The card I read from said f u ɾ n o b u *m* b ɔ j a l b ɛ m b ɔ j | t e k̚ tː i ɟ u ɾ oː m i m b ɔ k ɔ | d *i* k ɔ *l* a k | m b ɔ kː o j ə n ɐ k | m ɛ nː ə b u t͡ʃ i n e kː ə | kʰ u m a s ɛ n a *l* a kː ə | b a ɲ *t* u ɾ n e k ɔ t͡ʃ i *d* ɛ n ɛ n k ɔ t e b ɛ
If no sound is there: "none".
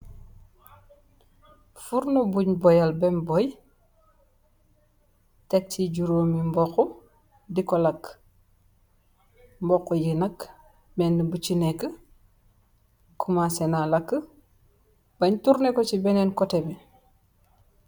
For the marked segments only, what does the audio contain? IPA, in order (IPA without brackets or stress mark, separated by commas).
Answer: ɲ, i, l, l, t, b